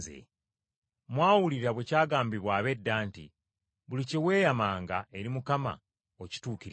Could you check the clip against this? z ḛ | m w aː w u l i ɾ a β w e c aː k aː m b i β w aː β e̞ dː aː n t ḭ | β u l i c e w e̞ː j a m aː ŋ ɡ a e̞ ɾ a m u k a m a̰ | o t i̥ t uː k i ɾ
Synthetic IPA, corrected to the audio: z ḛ | m w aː w u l i ɾ a β w e c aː ɡ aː m b i β w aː β e̞ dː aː n t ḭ | β u l i c e w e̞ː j a m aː ŋ ɡ a e̞ ɾ i m u k a m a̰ | o c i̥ t uː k i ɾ